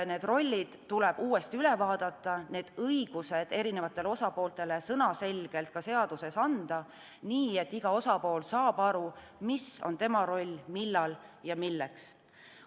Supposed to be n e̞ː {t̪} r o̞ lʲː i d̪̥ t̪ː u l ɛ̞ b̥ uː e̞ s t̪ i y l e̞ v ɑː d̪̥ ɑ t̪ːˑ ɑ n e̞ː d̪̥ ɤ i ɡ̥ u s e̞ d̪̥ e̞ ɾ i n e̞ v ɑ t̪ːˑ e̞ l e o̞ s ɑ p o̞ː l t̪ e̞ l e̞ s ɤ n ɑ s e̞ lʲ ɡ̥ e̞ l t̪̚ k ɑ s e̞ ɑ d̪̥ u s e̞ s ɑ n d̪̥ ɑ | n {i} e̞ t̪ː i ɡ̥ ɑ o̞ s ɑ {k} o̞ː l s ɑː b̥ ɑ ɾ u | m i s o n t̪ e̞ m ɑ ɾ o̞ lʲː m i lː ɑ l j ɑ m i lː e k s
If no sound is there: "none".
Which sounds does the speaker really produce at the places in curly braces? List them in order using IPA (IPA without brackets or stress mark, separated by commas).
d̪, iː, p